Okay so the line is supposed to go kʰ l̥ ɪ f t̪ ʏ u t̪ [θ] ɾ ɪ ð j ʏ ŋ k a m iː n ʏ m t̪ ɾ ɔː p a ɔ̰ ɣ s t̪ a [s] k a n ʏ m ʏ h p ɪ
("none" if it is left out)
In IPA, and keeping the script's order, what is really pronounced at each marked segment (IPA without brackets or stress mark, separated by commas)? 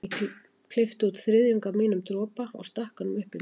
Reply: θ, h